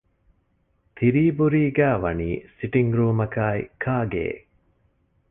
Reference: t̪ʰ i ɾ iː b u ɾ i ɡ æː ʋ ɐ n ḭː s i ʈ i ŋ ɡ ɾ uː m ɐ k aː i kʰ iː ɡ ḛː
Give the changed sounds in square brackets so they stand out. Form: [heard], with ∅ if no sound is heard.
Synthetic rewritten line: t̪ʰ i ɾ iː b u ɾ [iː] ɡ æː ʋ ɐ n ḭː s i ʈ i ŋ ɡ ɾ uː m ɐ k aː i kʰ [aː] ɡ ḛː

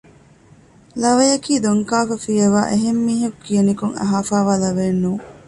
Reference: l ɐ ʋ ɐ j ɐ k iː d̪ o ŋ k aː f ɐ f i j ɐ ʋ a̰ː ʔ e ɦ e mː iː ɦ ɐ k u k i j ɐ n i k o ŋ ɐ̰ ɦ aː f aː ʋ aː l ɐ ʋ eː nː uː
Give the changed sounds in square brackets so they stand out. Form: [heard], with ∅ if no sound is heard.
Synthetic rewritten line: l ɐ ʋ ɐ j ɐ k iː d̪ o ŋ k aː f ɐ f i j ɐ ʋ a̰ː ʔ e ɦ e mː iː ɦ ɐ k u k i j ɐ n i k [u] ŋ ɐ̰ ɦ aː f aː ʋ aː l ɐ ʋ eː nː uː

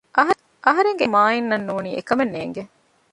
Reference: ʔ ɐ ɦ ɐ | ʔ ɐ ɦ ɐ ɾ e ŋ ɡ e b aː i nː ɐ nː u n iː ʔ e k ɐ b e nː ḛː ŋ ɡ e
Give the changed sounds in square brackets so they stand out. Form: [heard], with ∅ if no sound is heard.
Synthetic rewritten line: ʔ ɐ ɦ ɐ | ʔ ɐ ɦ ɐ ɾ e ŋ ɡ e [m] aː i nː ɐ nː [uː] n iː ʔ e k ɐ [m] e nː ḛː ŋ ɡ e

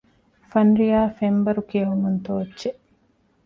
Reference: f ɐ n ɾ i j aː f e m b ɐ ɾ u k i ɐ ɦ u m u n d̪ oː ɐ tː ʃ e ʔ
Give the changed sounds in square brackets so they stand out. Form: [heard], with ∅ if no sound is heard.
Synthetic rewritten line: f ɐ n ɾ i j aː f e m b ɐ ɾ u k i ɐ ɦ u m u n [t̪] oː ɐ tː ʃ e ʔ

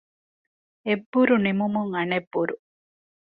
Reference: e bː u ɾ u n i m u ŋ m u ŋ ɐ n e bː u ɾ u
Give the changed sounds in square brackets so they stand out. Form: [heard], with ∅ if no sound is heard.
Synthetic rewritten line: e bː u ɾ u n i m u [∅] m u ŋ ɐ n e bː u ɾ u

